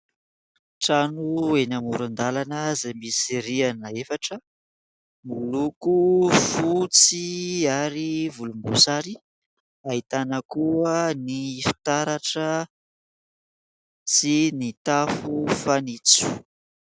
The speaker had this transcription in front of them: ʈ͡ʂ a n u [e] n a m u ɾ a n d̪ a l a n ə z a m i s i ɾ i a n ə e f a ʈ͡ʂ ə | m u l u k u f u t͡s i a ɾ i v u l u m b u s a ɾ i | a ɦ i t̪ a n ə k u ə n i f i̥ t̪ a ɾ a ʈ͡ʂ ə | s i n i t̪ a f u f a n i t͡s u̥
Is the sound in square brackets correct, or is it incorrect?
correct